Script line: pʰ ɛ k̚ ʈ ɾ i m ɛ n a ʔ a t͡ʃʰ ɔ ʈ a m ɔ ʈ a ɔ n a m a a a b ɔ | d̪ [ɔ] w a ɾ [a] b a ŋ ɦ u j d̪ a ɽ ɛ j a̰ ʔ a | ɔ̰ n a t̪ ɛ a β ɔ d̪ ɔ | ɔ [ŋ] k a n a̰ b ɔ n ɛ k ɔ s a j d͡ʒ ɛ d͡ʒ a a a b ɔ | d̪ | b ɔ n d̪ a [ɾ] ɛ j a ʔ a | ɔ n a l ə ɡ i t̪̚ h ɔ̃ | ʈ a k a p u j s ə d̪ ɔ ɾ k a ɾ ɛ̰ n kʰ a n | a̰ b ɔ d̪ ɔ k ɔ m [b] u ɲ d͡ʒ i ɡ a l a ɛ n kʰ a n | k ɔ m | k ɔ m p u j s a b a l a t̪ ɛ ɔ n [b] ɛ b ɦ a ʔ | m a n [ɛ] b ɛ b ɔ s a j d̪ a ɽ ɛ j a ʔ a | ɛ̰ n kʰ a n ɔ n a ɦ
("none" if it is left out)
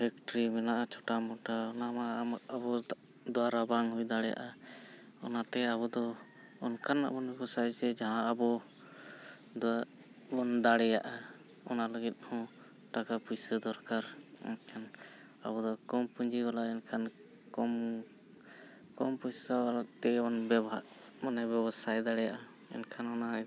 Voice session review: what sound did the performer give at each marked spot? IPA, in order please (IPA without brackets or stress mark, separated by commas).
ɔ, a, n, ɽ, p, b, ɛ